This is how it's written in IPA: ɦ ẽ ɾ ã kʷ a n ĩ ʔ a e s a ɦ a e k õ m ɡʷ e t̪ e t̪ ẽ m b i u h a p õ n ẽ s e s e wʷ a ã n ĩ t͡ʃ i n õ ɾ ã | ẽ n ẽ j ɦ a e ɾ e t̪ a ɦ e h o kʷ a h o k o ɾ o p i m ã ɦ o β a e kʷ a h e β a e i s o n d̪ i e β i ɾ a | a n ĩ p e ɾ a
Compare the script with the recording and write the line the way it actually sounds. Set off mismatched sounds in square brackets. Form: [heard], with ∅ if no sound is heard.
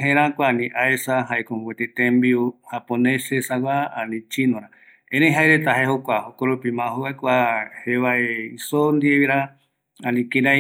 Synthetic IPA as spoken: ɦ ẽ ɾ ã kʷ a n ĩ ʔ a e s a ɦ a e k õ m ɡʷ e t̪ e t̪ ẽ m b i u h a p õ n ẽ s e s [a] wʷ a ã n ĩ t͡ʃ i n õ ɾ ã | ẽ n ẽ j ɦ a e ɾ e t̪ a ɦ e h o kʷ a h o k o ɾ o p i m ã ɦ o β a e kʷ a h e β a e i s o n d̪ i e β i ɾ a | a n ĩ [k] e ɾ a